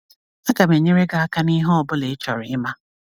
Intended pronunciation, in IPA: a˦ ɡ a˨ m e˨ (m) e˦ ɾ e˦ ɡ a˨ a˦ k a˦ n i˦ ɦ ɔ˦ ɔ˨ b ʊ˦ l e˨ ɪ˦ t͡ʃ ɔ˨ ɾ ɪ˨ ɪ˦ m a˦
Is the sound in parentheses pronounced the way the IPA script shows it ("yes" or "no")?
no